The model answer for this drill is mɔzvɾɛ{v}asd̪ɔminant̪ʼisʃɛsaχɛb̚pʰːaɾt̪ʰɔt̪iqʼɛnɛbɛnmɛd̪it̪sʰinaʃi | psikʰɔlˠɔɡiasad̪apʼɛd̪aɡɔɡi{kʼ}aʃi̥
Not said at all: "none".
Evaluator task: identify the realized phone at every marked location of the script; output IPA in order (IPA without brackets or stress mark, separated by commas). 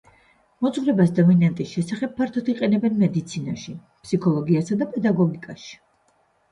b, kʼ